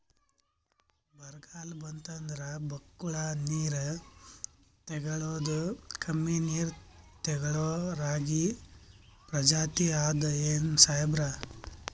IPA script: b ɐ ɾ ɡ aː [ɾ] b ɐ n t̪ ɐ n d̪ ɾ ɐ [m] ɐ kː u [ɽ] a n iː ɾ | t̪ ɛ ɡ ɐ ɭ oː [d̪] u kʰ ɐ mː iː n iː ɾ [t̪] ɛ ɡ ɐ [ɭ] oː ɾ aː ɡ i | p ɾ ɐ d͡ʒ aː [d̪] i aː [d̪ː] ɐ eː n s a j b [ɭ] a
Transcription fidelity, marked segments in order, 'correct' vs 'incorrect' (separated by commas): incorrect, incorrect, incorrect, correct, correct, correct, incorrect, incorrect, incorrect